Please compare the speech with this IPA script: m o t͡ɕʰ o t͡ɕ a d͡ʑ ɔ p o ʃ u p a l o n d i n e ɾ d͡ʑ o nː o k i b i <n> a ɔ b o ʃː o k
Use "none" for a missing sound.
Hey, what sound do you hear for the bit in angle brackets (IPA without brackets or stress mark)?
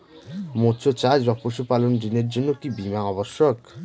m